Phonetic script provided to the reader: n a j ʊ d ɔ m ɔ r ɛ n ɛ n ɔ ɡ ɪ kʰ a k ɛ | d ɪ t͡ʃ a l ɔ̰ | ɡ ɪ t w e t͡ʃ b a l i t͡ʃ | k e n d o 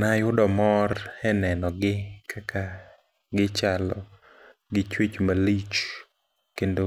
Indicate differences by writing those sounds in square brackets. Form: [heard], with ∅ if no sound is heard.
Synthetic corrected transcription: n a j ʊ d ɔ m ɔ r ɛ n ɛ n ɔ ɡ ɪ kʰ a k [a] | [ɡ] ɪ t͡ʃ a l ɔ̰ | ɡ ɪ [t͡ʃ] w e t͡ʃ [m] a l i t͡ʃ | k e n d o